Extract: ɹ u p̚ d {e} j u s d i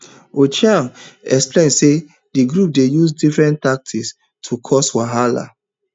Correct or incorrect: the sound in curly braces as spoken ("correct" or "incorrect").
correct